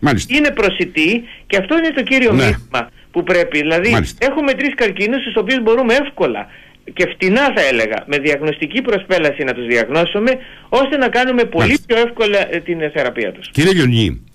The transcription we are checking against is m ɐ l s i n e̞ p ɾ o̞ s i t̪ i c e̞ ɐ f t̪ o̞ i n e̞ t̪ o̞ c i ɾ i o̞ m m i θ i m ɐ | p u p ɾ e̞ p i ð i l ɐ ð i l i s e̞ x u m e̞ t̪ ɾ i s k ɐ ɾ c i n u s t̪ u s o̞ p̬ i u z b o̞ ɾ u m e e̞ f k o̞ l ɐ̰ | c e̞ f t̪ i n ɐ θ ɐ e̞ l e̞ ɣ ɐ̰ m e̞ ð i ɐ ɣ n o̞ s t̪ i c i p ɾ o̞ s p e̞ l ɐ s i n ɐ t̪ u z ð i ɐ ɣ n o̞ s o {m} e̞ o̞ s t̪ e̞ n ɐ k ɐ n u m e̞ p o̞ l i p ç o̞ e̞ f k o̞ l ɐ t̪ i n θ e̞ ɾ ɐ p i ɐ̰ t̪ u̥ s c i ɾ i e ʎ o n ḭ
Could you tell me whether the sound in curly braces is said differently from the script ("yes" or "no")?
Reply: no